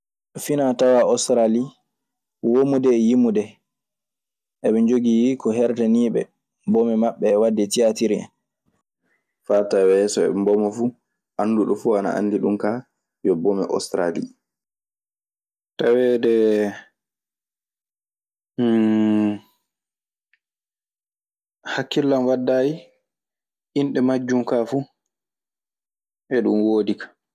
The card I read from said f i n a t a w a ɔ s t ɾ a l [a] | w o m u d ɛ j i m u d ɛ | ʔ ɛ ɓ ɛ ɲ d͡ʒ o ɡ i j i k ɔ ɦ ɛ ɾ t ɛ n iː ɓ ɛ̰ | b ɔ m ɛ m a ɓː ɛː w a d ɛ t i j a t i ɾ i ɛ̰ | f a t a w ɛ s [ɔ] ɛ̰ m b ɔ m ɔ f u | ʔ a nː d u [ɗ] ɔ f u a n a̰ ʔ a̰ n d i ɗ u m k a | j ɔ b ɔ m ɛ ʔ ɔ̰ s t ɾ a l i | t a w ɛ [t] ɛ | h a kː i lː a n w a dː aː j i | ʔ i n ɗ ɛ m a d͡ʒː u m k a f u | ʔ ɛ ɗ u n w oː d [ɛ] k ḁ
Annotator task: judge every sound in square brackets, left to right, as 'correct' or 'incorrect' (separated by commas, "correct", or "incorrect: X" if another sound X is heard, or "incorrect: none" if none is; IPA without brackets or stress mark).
incorrect: i, correct, correct, incorrect: d, incorrect: i